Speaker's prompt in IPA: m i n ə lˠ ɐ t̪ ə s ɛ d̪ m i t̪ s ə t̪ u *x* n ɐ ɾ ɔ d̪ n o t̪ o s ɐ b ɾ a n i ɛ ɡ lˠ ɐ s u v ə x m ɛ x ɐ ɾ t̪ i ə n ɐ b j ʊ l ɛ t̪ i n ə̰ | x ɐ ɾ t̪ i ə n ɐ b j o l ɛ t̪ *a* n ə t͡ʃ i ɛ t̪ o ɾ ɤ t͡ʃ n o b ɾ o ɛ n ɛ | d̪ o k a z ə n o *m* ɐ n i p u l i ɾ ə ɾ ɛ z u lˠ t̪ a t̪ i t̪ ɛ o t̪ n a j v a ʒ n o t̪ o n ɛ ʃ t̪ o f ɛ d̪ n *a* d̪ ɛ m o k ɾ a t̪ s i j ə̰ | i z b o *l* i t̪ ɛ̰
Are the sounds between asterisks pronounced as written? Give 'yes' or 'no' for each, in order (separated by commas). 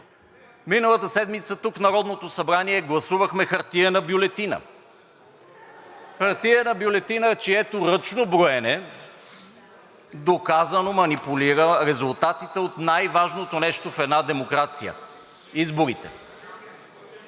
no, no, yes, yes, no